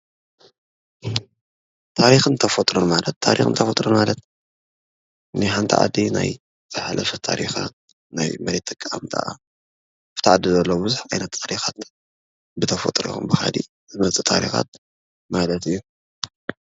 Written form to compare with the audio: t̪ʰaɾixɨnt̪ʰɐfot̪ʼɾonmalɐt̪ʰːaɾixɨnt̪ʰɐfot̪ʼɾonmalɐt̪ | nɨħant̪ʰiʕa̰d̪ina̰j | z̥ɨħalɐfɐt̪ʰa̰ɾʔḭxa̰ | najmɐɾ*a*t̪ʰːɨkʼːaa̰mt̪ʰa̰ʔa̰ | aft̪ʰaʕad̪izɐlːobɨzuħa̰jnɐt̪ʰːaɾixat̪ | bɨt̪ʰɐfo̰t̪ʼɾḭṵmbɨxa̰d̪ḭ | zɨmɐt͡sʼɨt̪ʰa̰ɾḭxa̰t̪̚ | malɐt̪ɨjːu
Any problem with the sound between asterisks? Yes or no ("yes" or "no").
yes